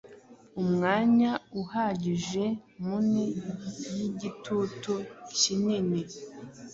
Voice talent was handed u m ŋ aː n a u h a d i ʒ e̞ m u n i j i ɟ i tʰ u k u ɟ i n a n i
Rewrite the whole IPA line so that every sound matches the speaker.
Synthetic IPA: u m ŋ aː ɲ a u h a ɟ i ʒ e̞ m u n i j i ɟ i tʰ u t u c i n i n i